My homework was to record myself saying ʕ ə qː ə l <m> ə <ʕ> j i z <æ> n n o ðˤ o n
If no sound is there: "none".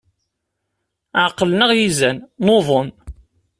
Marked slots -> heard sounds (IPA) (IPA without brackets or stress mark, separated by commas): n, ʁ, æ